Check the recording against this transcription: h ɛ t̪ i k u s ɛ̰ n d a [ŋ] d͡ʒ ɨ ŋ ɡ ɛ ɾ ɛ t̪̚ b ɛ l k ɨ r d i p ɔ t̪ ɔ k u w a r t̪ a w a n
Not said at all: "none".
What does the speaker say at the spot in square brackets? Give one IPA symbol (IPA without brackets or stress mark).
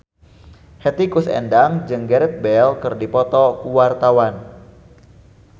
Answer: ŋ